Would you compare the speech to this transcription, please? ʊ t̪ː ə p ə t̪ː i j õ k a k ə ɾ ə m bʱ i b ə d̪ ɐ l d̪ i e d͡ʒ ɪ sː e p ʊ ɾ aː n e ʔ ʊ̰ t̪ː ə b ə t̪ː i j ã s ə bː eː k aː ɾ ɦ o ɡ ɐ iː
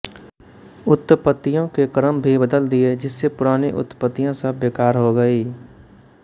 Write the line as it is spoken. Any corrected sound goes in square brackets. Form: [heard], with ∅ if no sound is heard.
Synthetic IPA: ʊ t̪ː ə p ə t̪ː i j õ k [e] k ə ɾ ə m bʱ i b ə d̪ [ə] l d̪ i e d͡ʒ ɪ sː e p ʊ ɾ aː n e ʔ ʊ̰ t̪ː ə [p] ə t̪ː i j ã s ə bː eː k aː ɾ ɦ o ɡ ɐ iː